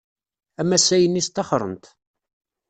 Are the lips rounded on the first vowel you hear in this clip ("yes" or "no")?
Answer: no